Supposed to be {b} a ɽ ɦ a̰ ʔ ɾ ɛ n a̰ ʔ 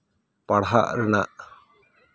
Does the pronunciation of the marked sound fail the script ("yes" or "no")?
yes